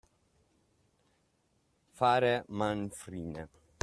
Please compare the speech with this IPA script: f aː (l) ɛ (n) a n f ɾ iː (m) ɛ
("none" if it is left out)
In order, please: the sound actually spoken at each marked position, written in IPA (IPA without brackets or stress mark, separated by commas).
ɾ, m, n